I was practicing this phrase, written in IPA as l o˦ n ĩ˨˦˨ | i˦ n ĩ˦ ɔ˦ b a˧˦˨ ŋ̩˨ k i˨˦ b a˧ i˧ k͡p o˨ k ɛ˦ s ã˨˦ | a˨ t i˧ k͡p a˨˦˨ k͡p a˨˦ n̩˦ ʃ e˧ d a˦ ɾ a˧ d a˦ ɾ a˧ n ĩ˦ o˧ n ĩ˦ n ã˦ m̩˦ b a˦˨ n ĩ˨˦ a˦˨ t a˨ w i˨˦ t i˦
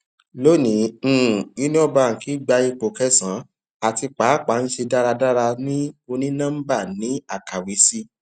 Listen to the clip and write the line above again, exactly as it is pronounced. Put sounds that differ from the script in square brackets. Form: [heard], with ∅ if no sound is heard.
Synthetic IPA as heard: l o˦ n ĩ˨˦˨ | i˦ n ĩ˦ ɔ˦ b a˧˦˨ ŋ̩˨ k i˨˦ [ɡ͡b] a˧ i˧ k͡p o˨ k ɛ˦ s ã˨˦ | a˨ t i˧ k͡p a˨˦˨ k͡p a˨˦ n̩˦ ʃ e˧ d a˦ ɾ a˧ d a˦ ɾ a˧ n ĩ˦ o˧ n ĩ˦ n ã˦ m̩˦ b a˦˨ n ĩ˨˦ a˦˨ [k] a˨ w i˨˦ [s] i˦

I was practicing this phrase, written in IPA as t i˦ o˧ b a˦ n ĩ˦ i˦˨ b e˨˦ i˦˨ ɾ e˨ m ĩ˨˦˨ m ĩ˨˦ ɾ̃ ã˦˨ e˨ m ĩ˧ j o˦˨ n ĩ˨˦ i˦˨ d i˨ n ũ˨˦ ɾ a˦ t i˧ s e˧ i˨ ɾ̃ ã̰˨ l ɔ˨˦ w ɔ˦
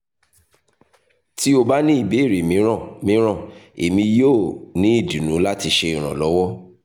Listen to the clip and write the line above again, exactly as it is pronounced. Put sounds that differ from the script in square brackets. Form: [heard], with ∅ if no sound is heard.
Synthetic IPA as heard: t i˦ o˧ b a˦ n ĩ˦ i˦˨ b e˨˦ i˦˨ ɾ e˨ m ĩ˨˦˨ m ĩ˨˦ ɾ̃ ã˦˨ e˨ m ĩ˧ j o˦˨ n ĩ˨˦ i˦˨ d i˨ n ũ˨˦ [l] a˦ t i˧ [ʃ] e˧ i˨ ɾ̃ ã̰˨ l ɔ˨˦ w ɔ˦

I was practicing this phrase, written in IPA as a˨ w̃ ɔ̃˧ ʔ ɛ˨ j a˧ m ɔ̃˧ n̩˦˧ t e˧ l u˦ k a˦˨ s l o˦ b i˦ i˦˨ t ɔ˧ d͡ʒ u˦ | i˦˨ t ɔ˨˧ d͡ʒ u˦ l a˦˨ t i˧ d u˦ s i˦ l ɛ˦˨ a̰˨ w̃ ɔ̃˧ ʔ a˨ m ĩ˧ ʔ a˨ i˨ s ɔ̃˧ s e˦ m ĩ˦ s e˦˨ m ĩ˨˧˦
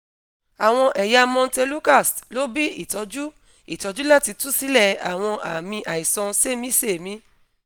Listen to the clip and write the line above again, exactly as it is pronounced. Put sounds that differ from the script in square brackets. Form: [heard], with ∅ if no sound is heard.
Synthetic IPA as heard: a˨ w̃ ɔ̃˧ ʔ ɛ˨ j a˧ m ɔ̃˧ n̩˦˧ t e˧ l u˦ k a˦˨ s l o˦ b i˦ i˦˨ t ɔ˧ d͡ʒ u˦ | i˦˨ t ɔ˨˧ d͡ʒ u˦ l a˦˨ t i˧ [t] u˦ s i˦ l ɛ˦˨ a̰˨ w̃ ɔ̃˧ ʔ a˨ m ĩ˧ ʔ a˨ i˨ s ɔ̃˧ s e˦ m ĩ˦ s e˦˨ m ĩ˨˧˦

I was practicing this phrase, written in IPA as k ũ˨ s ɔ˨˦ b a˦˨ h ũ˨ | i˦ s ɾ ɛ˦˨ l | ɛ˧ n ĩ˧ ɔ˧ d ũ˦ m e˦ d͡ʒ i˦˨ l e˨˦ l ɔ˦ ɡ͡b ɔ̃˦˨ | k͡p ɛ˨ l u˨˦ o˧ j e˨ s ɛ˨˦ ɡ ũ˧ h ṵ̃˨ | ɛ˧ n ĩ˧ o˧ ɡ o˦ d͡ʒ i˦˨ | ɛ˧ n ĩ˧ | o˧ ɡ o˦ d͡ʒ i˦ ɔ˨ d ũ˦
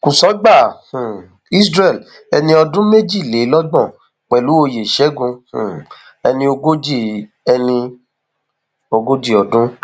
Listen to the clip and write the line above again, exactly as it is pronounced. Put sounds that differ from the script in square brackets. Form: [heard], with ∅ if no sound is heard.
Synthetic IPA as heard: k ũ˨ s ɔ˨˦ [ɡ͡b] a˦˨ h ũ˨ | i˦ s ɾ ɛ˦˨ l | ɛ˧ n ĩ˧ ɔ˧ d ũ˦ m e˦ d͡ʒ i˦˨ l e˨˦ l ɔ˦ ɡ͡b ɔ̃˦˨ | k͡p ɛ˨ l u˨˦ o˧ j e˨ [ʃ] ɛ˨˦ ɡ ũ˧ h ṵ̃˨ | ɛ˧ n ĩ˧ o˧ ɡ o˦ d͡ʒ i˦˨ | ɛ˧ n ĩ˧ | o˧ ɡ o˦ d͡ʒ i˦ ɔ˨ d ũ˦

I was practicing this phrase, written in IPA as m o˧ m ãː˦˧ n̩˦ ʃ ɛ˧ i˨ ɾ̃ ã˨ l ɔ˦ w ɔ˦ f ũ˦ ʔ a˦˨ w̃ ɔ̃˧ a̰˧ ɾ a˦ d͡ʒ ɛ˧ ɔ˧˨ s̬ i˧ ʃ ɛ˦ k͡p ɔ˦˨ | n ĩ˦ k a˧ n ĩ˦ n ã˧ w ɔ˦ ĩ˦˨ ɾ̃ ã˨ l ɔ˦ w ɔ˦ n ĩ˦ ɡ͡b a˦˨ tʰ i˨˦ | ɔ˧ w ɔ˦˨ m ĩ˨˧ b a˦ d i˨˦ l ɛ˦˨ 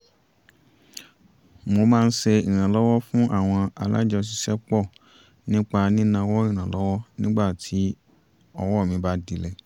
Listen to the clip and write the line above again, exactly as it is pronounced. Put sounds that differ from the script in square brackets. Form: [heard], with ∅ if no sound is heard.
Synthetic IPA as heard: m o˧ m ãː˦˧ n̩˦ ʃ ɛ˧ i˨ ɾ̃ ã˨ l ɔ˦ w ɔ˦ f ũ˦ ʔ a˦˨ w̃ ɔ̃˧ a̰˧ [l] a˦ d͡ʒ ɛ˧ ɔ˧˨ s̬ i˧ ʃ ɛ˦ k͡p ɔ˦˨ | n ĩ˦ [k͡p] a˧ n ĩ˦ n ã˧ w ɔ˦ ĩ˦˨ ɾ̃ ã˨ l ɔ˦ w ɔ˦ n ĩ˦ ɡ͡b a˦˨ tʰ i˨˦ | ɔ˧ w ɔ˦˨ m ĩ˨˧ b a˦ d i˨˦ l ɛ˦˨

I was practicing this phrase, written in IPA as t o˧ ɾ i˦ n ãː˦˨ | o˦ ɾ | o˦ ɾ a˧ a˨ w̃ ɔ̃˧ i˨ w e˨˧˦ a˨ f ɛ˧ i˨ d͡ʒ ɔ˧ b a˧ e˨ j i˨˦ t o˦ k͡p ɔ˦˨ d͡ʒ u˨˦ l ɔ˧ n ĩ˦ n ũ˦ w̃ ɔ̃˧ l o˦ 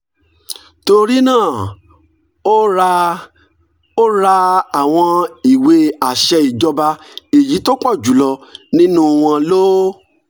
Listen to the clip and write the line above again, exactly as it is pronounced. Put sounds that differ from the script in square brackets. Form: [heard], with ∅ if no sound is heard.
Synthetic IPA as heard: t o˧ ɾ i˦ n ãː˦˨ | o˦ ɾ | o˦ ɾ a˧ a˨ w̃ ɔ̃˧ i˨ w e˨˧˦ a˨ [ʃ] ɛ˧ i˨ d͡ʒ ɔ˧ b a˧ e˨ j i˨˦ t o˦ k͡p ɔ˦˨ d͡ʒ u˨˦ l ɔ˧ n ĩ˦ n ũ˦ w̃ ɔ̃˧ l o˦

